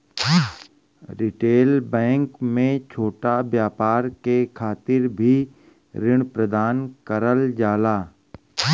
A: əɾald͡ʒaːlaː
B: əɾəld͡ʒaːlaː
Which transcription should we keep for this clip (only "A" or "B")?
B